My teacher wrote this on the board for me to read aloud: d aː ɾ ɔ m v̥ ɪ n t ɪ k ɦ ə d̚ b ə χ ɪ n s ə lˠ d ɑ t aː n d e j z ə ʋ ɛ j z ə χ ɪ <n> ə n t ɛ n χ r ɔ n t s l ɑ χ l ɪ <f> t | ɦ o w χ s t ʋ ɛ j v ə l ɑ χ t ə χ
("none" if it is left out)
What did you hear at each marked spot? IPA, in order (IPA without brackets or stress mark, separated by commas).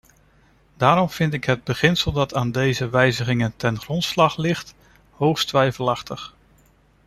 ŋ, χ